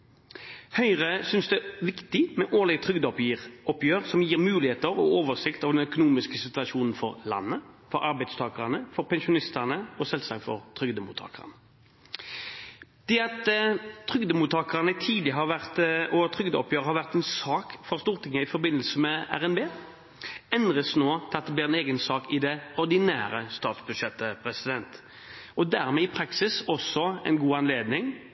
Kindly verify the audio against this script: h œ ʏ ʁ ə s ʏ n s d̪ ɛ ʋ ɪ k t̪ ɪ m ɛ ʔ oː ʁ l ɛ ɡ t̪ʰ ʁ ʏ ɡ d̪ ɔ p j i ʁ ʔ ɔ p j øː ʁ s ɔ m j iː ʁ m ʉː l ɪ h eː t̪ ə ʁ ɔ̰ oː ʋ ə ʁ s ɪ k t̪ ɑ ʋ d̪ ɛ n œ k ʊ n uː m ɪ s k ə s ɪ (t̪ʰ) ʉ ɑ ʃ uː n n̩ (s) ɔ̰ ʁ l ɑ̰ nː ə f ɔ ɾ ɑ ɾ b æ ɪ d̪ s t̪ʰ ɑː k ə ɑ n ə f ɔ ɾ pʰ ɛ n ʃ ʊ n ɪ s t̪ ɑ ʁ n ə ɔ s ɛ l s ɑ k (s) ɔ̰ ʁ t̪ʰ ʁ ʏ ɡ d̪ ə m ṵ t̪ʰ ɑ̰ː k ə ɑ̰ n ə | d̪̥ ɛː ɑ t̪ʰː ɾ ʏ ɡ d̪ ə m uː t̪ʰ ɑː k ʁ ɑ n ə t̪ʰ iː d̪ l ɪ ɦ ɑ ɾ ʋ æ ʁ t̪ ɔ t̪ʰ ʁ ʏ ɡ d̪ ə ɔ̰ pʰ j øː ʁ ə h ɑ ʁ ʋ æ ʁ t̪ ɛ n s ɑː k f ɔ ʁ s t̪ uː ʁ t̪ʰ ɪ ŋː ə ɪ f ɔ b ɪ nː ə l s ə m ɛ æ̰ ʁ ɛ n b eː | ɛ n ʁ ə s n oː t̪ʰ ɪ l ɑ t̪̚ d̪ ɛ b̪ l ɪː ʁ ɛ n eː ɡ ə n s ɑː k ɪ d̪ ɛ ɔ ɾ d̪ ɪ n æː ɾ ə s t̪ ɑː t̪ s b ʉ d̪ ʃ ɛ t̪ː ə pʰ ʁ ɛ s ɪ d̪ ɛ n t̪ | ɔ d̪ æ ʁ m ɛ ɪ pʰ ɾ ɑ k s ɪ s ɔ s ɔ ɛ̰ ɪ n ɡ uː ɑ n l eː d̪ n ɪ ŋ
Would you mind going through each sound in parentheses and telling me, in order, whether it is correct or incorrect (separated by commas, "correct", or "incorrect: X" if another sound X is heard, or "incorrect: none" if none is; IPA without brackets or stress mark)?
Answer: incorrect: t̪, incorrect: f, incorrect: f